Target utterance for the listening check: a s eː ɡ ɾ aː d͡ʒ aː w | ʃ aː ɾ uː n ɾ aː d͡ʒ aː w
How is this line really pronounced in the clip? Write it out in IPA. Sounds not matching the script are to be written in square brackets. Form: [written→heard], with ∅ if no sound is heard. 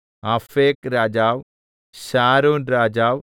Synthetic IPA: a [s→f] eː [ɡ→k] ɾ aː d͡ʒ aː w | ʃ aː ɾ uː n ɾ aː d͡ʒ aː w